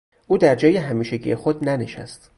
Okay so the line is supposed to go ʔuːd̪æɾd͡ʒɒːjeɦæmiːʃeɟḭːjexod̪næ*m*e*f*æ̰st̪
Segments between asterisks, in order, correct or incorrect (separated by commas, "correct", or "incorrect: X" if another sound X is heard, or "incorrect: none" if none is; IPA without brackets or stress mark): incorrect: n, incorrect: ʃ